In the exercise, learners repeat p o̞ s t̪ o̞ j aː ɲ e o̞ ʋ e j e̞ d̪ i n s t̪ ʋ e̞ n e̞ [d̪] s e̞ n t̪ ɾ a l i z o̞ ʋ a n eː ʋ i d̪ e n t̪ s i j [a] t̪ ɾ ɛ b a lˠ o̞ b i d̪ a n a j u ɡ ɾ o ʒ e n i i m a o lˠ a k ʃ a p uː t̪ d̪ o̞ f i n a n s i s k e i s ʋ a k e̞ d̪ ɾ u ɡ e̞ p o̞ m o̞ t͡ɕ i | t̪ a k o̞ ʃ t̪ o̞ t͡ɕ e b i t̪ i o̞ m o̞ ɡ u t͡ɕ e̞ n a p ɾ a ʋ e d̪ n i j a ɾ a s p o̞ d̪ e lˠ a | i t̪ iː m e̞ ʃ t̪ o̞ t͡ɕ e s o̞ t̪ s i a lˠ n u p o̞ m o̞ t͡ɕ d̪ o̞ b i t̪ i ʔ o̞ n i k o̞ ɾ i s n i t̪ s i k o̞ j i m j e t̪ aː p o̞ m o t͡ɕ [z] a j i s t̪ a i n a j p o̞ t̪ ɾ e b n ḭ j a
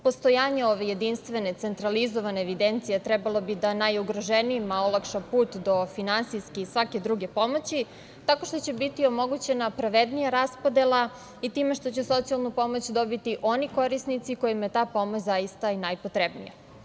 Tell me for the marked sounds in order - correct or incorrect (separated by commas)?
incorrect, incorrect, correct